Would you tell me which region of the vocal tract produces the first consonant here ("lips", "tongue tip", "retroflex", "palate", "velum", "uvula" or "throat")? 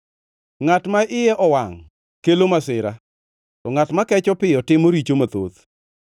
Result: velum